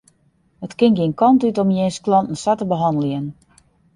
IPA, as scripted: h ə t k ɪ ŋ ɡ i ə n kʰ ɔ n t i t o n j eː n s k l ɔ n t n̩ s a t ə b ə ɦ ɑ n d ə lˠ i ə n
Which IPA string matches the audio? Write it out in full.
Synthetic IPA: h ə t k ɪ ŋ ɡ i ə n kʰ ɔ n t y t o m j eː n s k l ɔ n t n̩ s a t ə b ə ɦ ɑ n d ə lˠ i ə n